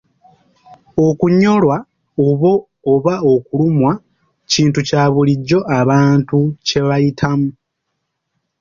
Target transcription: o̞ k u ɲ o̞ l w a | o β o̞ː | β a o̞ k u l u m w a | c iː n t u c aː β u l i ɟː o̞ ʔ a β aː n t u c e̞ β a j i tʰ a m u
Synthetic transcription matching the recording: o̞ k u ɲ o̞ l w a | o β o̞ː | β a o̞ k u l u m w a | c iː n t u c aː β u l i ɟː o̞ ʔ a β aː n t u c e̞ β a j i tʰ a m u